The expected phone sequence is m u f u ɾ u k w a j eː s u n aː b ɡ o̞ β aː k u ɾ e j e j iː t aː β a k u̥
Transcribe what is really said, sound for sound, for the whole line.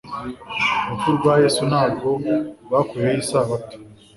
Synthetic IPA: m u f u ɾ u ɡ w a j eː s u n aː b ɡ o̞ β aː k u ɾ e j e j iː s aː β a t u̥